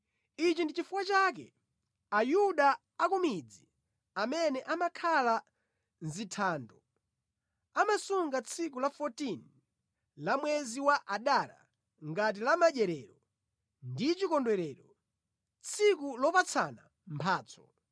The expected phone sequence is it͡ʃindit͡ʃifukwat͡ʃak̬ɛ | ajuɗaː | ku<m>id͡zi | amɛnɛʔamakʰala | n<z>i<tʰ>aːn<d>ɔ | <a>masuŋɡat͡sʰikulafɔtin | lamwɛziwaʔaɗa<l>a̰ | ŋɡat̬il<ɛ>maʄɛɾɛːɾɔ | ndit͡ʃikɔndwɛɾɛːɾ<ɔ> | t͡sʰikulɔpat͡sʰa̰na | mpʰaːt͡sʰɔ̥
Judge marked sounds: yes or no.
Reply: yes, yes, yes, yes, yes, no, no, yes

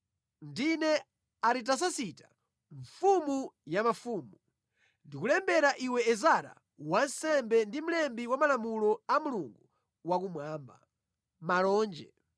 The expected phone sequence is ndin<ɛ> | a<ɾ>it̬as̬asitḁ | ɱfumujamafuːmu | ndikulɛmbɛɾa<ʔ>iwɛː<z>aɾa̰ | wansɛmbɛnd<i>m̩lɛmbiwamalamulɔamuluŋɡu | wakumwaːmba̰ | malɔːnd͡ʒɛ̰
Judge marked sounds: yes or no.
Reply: yes, yes, yes, yes, yes

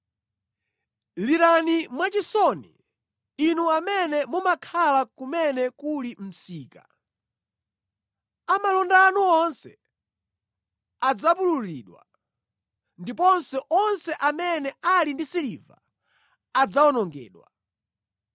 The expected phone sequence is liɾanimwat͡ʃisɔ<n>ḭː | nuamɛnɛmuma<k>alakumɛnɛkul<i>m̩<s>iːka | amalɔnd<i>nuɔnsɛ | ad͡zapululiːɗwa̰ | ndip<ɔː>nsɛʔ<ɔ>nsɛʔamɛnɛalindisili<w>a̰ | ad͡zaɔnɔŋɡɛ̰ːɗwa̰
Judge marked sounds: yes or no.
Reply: yes, no, yes, yes, no, no, yes, no

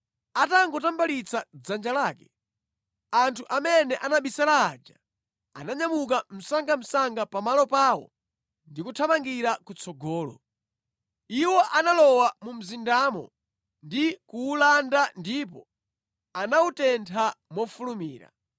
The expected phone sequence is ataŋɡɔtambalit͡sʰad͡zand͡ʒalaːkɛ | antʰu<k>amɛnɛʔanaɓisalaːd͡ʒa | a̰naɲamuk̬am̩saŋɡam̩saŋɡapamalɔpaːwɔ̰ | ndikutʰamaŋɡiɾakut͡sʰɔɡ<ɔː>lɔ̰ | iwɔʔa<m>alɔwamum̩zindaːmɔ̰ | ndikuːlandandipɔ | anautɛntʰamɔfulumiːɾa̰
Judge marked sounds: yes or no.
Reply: no, yes, no

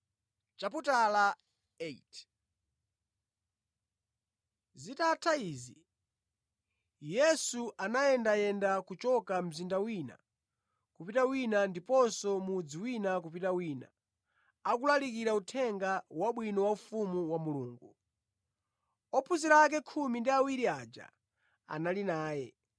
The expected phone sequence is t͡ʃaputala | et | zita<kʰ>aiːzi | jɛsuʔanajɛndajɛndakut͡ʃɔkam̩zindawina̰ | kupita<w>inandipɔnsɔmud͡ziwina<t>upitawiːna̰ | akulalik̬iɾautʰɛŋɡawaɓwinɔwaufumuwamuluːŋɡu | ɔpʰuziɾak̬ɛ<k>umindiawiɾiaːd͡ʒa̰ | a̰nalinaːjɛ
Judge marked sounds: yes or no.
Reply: no, yes, no, no

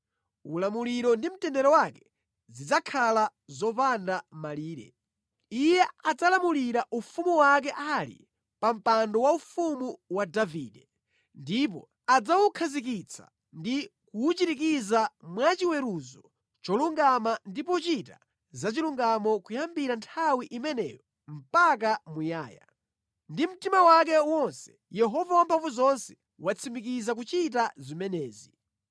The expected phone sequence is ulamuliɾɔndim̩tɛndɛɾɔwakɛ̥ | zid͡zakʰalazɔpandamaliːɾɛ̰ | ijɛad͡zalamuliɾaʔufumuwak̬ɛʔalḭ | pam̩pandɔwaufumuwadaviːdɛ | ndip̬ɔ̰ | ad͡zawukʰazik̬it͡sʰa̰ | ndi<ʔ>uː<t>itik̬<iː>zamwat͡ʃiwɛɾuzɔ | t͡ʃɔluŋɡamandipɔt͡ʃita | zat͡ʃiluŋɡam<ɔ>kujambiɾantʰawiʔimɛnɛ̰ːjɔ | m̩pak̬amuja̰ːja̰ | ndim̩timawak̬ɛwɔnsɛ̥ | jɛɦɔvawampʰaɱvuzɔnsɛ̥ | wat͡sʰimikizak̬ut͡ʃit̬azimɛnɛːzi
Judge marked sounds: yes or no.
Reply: no, no, no, yes

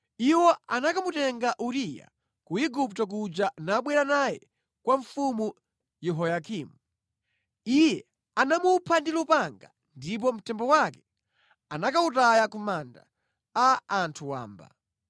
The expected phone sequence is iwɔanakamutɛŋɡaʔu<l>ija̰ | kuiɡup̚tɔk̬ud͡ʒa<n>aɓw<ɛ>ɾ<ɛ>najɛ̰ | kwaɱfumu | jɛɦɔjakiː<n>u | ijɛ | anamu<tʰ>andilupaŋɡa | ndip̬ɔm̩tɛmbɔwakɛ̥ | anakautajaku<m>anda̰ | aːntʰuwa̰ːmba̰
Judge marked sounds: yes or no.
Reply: no, yes, yes, no, no, no, yes

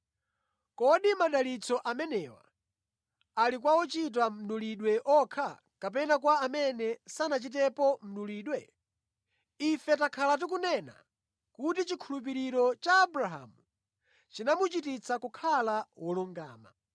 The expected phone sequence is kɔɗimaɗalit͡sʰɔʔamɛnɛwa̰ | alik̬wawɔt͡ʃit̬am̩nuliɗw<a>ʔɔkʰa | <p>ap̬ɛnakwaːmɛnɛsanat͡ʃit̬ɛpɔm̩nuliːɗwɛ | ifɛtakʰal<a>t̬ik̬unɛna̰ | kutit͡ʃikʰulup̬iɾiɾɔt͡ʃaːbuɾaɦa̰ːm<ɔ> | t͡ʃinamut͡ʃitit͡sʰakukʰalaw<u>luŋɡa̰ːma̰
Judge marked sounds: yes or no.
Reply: no, no, yes, no, no

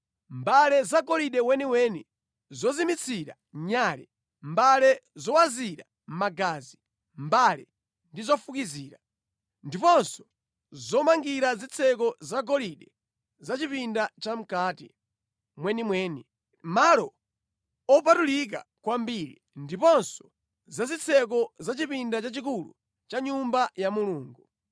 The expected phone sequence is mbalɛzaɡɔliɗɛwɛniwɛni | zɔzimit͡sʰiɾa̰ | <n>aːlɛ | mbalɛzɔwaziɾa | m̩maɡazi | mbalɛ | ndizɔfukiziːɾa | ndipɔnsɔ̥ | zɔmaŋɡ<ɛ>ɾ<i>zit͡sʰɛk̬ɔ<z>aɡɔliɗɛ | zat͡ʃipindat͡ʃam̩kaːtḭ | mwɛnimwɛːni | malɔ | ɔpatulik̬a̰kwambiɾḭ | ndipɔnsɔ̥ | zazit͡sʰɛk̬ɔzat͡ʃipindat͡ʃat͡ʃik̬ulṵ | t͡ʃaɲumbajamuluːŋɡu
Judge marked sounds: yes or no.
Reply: no, no, no, yes

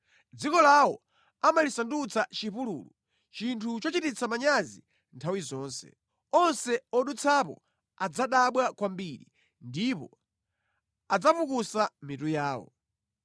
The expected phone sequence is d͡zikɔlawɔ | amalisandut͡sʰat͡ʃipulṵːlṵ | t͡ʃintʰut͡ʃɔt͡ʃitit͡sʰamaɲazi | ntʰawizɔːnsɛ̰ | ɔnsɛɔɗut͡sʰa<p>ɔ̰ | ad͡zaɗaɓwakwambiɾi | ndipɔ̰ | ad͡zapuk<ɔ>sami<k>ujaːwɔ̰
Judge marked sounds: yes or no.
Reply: yes, no, no

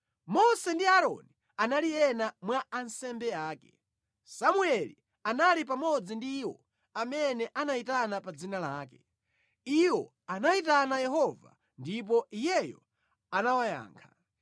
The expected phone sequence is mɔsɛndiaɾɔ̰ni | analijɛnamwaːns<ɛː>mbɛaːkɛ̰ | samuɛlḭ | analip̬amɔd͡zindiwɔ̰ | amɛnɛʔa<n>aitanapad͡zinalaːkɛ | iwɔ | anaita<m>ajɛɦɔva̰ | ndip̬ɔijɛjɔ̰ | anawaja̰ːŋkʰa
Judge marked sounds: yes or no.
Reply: no, yes, no

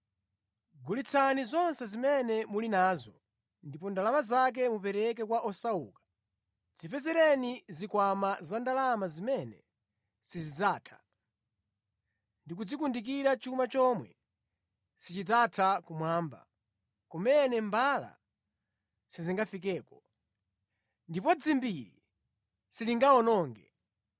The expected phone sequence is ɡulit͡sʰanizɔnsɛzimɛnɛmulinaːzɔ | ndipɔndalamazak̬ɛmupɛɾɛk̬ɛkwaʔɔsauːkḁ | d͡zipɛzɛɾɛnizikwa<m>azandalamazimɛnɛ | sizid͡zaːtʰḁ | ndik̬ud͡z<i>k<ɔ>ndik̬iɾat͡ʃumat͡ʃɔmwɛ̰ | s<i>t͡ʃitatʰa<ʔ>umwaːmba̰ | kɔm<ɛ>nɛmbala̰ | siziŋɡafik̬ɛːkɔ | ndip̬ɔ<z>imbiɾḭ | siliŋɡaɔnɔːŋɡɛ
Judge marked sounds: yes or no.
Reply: yes, yes, no, yes, no, yes, no

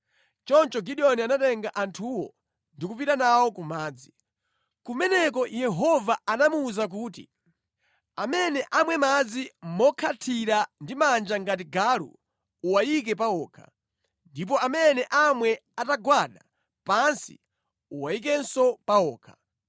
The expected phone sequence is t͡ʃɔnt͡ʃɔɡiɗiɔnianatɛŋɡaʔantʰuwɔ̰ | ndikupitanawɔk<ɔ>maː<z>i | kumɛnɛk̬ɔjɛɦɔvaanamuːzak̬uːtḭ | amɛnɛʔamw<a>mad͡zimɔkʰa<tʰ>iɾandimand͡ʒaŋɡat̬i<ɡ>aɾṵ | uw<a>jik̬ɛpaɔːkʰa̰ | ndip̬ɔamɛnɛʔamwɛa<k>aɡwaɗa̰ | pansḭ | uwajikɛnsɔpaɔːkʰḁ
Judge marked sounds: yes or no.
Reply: no, no, no, yes, yes, yes, no

